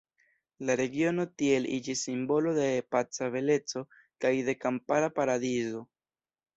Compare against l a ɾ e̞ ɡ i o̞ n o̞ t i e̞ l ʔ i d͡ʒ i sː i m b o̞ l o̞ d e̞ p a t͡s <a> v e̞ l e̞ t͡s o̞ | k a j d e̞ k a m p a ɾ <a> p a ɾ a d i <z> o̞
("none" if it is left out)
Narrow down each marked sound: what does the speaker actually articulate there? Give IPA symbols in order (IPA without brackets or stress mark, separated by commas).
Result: a, a, z